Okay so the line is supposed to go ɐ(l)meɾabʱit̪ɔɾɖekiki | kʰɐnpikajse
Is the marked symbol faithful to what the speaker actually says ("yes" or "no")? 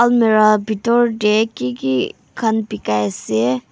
yes